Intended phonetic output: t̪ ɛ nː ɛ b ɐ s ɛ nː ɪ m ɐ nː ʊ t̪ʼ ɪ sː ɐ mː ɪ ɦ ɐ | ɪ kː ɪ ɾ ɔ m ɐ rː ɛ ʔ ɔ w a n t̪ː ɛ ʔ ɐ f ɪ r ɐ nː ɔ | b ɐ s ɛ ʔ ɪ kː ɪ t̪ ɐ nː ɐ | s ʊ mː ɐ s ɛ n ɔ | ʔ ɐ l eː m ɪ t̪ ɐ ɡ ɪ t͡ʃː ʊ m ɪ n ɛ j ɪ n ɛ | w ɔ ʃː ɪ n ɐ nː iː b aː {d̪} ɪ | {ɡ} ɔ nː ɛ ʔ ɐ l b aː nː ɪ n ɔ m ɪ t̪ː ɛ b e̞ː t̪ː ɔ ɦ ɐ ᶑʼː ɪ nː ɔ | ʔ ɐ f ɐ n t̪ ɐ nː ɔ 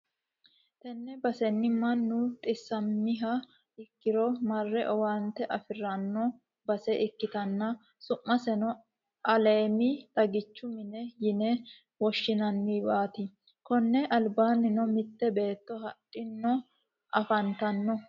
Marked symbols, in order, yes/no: no, no

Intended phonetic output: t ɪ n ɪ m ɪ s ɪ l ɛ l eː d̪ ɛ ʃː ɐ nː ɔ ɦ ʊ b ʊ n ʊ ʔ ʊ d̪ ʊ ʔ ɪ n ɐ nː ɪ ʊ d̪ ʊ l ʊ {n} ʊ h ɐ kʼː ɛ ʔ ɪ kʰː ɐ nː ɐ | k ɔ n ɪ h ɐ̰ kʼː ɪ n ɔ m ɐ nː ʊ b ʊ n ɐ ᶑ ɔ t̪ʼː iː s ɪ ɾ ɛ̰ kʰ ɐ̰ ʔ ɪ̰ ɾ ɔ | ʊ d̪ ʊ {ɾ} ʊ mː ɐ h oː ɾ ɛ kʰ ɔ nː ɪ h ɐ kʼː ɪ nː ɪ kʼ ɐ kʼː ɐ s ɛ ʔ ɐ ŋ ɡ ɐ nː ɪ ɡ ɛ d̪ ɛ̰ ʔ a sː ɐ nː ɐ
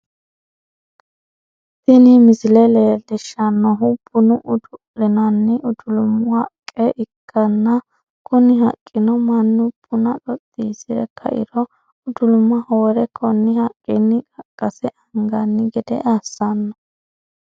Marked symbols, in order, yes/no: no, no

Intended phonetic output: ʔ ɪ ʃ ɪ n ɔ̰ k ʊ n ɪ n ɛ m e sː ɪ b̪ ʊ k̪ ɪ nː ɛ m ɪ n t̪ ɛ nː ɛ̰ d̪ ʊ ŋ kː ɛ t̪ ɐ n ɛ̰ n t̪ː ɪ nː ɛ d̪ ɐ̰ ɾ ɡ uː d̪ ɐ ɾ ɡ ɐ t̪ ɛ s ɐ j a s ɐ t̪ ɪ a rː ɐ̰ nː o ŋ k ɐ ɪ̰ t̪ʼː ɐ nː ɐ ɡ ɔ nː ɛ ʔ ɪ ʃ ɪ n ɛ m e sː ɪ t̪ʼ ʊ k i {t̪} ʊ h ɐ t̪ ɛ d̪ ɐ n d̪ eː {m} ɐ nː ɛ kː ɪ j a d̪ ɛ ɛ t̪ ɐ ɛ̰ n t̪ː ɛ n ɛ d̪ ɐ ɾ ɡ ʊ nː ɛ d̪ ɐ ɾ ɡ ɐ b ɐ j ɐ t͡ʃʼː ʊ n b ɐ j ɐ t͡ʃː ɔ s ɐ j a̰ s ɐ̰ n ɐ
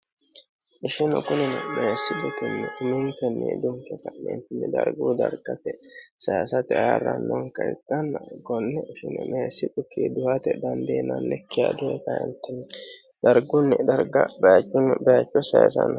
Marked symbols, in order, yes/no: no, no

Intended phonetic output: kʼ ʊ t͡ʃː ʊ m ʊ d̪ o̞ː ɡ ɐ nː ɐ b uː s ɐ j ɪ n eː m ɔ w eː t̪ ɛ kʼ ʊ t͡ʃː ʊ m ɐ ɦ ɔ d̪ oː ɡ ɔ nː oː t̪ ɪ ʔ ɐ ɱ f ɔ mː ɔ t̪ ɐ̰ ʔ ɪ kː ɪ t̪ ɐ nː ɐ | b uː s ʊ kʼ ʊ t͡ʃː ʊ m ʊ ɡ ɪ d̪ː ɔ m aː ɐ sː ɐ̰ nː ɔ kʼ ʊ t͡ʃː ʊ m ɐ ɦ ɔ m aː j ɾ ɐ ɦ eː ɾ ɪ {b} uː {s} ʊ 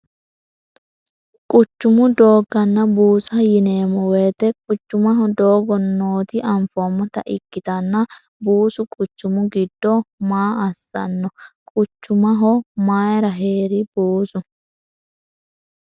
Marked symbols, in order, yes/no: yes, yes

